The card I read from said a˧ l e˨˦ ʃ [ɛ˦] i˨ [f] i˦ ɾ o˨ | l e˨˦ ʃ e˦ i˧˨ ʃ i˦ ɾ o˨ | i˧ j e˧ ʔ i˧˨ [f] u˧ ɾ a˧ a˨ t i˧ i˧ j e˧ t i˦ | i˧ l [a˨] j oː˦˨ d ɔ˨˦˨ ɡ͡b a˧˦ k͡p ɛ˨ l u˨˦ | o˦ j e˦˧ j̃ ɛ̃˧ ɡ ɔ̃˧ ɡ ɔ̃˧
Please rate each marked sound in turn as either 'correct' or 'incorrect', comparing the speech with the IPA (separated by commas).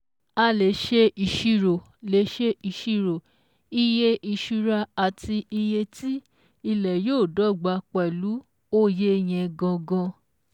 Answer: incorrect, incorrect, incorrect, incorrect